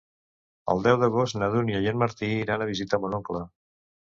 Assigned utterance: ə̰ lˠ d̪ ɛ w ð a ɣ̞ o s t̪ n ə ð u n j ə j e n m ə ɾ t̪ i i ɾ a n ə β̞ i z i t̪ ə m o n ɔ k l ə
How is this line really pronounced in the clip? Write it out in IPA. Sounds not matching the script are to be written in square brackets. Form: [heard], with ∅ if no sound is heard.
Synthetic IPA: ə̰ lˠ d̪ ɛ w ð [ə] ɣ̞ o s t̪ n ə ð u n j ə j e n m ə ɾ t̪ i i ɾ a n ə β̞ i z i t̪ ə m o n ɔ k l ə